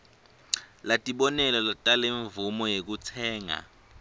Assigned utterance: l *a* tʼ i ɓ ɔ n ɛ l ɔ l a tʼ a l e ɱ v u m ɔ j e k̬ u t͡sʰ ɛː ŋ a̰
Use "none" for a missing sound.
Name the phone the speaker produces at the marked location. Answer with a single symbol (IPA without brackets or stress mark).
a